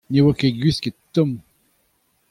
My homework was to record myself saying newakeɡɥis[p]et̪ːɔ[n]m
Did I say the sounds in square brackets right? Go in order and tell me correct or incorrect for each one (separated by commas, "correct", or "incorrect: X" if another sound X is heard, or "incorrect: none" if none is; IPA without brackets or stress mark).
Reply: incorrect: k, incorrect: none